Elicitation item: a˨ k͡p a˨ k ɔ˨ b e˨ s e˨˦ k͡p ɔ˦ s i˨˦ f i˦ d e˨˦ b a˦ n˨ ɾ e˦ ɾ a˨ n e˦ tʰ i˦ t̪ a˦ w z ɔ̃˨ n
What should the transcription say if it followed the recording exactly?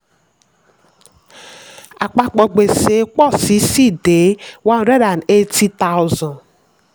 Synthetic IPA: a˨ k͡p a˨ k͡p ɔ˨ ɡ͡b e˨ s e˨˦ k͡p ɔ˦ s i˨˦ s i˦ d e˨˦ w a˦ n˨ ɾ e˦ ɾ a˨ n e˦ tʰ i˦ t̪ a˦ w z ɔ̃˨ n